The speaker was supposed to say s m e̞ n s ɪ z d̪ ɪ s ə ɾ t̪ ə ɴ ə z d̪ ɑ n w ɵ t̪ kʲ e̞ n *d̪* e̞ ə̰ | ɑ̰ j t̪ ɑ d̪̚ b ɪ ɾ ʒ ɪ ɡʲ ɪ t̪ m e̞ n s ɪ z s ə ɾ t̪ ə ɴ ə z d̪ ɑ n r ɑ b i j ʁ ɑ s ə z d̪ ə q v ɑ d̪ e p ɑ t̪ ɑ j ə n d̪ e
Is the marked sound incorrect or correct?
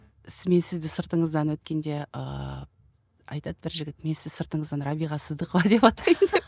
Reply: correct